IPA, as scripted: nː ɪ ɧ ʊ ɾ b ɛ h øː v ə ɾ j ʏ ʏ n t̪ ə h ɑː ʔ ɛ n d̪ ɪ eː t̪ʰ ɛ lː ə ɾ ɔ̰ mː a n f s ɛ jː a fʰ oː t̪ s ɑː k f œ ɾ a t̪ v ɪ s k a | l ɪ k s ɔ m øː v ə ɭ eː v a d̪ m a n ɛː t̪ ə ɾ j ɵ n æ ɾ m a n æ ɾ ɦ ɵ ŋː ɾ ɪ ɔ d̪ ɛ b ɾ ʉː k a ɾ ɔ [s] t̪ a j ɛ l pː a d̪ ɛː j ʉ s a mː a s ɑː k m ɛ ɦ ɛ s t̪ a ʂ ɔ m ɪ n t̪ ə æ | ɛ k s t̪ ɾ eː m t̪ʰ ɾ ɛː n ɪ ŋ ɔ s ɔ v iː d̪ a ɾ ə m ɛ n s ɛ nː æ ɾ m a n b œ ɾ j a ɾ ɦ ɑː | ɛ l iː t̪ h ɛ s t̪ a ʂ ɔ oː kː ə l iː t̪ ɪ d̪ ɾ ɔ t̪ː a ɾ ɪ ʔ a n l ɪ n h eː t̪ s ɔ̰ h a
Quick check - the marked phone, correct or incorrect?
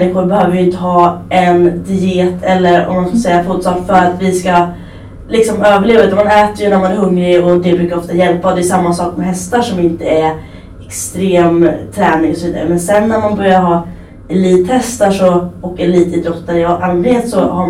incorrect